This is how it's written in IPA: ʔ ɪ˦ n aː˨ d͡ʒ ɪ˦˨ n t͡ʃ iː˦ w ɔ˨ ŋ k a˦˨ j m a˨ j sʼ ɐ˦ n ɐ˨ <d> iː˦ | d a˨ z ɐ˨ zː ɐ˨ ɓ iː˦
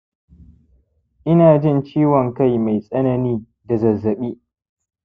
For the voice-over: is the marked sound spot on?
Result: no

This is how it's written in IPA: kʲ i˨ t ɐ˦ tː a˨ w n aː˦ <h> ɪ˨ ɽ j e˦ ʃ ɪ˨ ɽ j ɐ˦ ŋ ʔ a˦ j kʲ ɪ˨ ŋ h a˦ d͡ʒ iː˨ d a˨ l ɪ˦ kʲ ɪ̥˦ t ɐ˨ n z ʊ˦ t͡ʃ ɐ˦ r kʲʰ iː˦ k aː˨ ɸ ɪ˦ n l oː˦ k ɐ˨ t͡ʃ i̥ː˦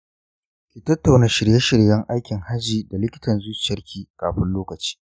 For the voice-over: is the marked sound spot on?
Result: no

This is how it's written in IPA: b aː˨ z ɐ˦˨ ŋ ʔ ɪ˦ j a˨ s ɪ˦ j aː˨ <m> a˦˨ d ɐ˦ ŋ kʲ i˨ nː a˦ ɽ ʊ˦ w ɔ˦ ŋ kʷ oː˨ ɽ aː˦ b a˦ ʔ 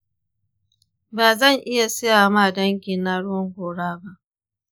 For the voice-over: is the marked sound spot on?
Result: yes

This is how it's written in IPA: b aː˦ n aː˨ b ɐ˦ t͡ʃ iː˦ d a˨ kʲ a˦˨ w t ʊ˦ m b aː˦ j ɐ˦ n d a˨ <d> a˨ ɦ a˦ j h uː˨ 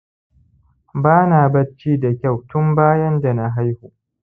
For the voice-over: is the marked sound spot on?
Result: no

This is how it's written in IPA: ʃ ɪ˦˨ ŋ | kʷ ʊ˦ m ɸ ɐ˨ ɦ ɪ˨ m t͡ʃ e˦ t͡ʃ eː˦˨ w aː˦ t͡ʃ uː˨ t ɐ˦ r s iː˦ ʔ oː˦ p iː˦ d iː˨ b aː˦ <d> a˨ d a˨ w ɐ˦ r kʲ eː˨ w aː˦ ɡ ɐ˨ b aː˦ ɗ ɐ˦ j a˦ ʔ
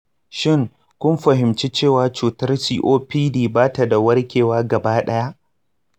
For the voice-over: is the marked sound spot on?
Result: no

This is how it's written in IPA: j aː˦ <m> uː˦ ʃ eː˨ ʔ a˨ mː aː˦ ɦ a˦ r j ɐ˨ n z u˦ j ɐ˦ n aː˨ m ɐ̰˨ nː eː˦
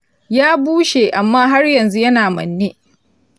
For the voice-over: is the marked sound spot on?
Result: no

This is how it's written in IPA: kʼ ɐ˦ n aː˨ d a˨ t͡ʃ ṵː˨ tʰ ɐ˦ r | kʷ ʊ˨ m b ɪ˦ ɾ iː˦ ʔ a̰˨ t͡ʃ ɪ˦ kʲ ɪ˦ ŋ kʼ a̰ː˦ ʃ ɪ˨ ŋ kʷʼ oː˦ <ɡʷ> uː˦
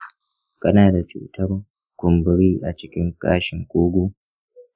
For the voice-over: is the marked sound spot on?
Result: yes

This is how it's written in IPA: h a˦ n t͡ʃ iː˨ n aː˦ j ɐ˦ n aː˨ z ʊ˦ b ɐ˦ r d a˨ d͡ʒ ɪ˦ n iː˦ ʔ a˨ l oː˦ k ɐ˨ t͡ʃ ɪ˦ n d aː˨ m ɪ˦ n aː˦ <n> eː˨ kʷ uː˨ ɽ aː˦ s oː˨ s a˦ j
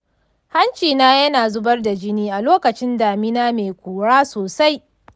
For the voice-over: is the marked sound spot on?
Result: no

